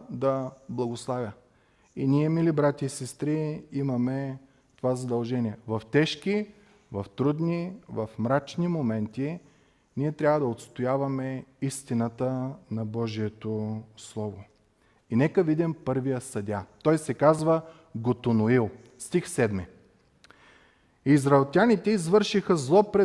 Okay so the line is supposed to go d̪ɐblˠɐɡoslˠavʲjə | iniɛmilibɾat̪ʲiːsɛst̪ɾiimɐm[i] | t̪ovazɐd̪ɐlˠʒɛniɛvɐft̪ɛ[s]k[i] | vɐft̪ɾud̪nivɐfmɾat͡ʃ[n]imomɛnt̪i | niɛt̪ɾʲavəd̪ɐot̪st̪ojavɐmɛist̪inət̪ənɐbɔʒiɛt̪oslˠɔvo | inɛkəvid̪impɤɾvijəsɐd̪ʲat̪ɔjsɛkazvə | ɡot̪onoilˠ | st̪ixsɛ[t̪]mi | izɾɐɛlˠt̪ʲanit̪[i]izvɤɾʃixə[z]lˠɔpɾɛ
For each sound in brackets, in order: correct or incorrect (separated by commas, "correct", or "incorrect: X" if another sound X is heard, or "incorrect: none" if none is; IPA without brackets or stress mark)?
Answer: incorrect: ɛ, incorrect: ʃ, correct, correct, incorrect: d̪, incorrect: ɛ, correct